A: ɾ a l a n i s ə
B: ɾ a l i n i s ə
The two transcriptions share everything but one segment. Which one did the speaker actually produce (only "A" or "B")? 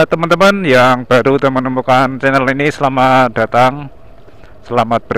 B